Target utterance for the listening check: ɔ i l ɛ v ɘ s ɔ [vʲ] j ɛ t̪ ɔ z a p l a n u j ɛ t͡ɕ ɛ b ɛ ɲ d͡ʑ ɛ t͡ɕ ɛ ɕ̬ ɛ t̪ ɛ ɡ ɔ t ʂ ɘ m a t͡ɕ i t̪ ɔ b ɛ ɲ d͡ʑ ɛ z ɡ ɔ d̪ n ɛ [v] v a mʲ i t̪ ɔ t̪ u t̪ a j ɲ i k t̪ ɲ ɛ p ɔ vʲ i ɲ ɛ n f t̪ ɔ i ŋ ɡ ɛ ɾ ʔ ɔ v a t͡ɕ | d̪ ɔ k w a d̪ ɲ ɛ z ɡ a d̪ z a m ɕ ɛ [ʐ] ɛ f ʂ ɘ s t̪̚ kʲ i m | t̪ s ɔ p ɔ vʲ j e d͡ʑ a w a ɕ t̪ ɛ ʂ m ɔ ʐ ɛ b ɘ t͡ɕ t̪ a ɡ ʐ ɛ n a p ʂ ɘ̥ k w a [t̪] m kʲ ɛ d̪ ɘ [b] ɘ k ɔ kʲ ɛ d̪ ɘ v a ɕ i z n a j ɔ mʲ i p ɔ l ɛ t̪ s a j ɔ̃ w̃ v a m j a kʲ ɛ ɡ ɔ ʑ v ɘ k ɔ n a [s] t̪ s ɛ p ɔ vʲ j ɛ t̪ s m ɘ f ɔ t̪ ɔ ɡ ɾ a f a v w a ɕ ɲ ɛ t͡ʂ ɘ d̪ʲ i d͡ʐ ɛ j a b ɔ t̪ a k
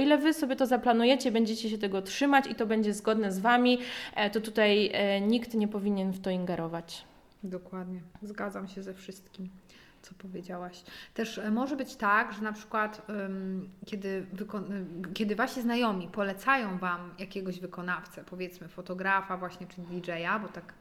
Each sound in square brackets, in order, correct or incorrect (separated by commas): incorrect, incorrect, incorrect, correct, incorrect, incorrect